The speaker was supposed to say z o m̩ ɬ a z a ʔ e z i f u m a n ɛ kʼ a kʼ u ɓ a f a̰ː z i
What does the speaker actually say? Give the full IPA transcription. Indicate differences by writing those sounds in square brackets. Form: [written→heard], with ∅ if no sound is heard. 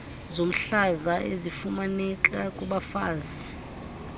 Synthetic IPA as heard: z o m̩ ɬ a z a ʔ e z i f u m a n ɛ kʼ a kʼ u ɓ a f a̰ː z i